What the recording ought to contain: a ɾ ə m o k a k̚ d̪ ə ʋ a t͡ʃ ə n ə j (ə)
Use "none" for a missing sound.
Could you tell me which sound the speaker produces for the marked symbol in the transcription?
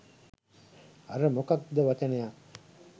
a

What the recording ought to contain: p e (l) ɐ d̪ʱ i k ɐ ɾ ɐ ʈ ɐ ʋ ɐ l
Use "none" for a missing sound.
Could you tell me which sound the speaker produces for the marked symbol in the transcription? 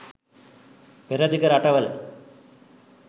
ɾ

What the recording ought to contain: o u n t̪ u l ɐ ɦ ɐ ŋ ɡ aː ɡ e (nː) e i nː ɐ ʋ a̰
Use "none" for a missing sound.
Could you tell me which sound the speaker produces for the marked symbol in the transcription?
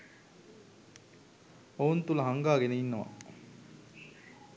n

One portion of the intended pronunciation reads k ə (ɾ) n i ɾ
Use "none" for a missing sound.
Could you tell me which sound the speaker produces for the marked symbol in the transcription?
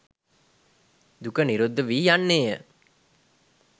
none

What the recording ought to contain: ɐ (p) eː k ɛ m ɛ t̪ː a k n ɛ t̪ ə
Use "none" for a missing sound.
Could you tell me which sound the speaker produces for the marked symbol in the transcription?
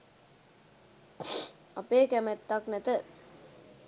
p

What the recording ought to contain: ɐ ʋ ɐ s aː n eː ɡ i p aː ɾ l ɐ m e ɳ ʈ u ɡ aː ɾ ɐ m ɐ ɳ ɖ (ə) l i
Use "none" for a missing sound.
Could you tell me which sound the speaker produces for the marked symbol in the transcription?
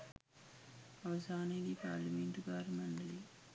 ɐ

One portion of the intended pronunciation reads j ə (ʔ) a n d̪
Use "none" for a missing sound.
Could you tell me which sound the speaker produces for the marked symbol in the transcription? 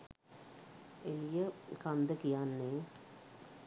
k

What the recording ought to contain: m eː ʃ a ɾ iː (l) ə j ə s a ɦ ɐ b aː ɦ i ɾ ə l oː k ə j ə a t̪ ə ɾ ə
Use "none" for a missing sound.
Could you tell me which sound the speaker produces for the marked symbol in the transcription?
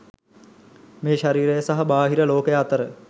ɾ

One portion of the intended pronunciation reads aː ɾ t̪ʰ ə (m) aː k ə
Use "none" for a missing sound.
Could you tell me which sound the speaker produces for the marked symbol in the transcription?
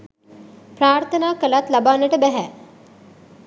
n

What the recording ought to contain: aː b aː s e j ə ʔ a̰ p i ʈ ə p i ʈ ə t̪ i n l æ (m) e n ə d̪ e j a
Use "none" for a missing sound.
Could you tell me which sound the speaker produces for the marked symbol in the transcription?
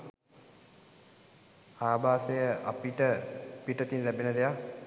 b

